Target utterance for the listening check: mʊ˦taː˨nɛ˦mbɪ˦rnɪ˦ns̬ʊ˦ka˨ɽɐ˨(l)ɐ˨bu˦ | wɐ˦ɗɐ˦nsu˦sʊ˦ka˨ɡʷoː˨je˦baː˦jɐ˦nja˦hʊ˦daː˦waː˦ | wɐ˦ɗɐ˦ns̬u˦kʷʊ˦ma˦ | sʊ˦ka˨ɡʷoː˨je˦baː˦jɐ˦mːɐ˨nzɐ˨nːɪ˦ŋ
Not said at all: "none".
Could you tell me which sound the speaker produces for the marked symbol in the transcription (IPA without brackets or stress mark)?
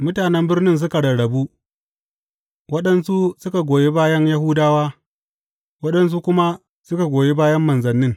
ɽ